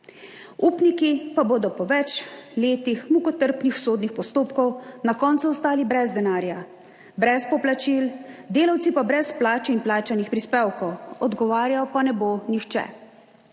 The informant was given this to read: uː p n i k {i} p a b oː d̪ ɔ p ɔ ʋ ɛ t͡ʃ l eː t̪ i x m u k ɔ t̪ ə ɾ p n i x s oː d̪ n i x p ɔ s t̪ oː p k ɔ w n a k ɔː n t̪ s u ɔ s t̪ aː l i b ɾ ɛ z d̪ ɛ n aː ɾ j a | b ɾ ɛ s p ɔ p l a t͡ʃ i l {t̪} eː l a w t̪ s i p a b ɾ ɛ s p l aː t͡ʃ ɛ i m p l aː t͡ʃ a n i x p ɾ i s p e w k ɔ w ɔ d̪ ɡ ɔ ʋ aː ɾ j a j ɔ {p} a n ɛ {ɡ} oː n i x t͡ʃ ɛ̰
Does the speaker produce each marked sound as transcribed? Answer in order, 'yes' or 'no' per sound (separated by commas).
yes, no, yes, no